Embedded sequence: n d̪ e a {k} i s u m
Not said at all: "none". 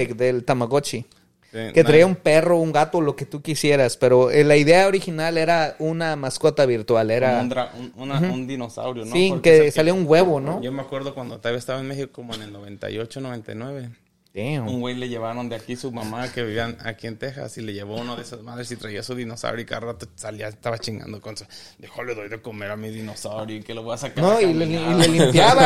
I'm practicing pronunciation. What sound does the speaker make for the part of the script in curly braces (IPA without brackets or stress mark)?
k